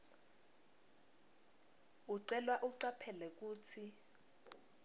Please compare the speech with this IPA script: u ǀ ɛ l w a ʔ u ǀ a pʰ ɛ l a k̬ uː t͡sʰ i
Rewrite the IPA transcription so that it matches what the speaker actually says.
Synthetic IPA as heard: u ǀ ɛ l w a ʔ u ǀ a pʰ ɛ l ɛ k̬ uː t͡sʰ i